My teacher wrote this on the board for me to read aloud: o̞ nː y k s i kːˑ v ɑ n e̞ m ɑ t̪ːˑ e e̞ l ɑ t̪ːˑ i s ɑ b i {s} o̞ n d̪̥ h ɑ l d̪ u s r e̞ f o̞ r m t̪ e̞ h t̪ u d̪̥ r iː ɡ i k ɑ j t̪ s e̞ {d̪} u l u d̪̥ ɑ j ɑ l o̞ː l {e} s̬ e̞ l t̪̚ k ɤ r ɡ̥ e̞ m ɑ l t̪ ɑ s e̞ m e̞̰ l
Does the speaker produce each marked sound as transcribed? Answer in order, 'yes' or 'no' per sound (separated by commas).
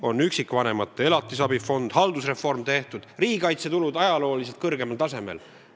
no, no, no